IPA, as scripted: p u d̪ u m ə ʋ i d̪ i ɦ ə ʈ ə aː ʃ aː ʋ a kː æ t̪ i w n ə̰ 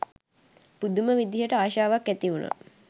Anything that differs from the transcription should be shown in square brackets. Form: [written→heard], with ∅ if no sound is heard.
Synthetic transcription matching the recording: p u d̪ u m ə ʋ i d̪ i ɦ ə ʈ ə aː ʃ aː ʋ a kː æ t̪ i [w→u] n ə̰